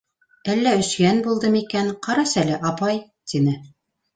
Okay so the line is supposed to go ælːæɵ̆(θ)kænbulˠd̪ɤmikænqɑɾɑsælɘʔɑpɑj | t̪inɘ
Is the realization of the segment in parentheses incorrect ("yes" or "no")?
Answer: yes